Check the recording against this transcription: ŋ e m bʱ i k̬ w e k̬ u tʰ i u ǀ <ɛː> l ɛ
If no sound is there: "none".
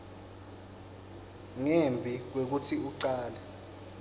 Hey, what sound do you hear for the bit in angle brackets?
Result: aː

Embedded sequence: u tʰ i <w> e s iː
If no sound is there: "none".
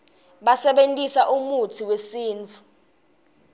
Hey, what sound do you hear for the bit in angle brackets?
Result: w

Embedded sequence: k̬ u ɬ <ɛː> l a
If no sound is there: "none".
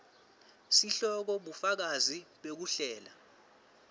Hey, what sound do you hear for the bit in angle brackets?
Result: ɛː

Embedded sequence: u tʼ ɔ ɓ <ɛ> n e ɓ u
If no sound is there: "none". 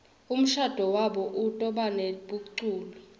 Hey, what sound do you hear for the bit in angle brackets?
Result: a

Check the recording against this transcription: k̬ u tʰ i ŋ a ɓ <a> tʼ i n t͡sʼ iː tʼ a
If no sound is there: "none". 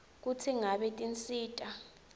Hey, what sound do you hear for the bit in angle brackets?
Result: ɛ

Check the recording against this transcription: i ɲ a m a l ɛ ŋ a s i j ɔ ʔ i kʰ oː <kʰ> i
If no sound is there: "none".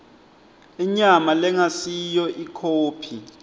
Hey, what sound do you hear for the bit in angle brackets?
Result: pʰ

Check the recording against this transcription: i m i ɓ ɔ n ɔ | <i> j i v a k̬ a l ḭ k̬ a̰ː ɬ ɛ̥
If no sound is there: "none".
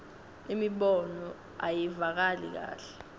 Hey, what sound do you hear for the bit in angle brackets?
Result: a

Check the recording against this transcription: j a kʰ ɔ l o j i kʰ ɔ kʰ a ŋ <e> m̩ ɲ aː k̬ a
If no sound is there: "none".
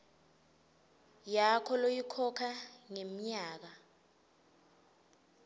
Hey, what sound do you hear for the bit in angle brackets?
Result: e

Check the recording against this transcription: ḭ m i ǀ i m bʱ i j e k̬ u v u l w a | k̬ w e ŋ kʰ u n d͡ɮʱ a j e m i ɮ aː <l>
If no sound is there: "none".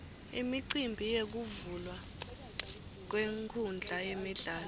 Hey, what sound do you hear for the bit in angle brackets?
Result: l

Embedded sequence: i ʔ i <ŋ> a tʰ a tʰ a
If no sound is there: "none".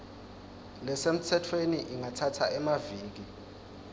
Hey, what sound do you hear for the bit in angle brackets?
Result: ŋ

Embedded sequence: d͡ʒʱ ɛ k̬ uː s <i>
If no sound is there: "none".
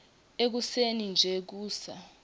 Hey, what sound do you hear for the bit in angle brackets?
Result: a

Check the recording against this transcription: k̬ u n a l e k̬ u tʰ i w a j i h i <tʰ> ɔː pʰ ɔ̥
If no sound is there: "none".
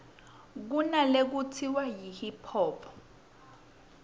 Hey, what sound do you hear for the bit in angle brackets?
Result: pʰ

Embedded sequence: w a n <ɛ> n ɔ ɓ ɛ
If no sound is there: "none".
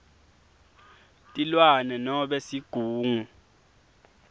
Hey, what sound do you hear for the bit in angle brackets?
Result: ɛ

